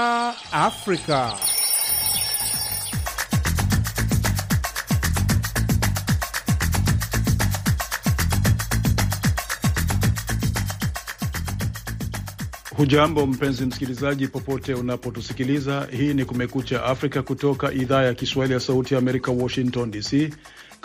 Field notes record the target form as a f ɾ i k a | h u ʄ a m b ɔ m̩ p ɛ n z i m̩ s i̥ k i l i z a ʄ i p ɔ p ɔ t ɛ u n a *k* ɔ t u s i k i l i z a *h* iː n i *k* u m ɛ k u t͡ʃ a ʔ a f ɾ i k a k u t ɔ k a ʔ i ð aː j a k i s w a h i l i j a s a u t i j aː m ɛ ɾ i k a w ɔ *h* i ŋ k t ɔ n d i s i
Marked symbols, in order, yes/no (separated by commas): no, yes, yes, no